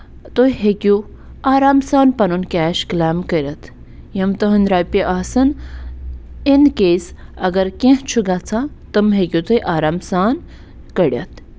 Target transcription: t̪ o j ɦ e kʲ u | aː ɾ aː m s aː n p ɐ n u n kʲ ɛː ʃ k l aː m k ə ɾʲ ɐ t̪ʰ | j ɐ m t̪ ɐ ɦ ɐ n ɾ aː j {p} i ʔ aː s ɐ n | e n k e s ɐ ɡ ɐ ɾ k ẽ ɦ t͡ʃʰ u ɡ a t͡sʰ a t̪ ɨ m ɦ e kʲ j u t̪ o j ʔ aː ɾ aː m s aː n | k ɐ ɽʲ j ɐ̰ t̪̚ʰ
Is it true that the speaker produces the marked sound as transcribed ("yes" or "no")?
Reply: yes